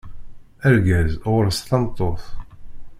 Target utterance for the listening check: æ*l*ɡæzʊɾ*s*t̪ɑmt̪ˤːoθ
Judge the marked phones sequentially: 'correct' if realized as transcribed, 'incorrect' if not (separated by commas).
incorrect, correct